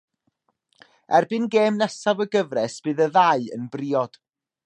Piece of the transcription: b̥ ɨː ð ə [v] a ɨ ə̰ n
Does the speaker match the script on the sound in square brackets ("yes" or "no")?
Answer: no